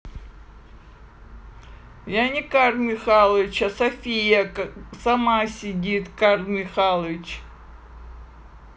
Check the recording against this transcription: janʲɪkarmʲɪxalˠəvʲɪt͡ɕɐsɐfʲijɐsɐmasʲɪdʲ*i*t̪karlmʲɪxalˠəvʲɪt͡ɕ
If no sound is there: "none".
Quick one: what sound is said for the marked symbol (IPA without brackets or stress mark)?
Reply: i